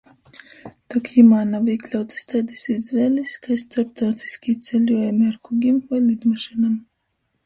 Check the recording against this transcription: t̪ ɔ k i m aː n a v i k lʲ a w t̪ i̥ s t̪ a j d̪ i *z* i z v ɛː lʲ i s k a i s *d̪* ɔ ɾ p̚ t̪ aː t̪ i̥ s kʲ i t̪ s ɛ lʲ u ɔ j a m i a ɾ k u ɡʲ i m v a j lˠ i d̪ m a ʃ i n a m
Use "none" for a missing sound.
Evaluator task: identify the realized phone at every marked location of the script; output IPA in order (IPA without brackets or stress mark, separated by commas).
s, t̪